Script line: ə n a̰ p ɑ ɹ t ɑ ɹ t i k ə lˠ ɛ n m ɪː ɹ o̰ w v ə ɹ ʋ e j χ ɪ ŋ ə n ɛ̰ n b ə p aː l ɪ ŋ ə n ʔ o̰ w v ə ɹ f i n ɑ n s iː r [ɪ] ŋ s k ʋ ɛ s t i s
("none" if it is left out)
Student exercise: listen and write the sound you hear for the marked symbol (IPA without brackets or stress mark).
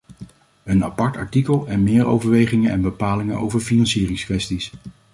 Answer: ɪ